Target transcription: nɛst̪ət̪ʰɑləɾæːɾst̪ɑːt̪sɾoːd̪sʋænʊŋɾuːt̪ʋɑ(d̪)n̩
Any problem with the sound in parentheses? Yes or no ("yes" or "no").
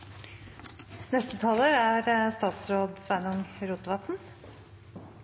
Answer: yes